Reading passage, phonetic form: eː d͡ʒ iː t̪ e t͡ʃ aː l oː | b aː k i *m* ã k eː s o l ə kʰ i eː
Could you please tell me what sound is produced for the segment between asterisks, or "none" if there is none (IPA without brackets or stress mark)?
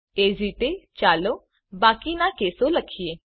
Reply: n